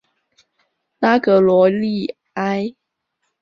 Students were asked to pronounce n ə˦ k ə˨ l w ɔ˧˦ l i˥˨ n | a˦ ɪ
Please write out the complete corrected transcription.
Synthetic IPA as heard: n a˦ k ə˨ l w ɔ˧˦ l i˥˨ | a˦ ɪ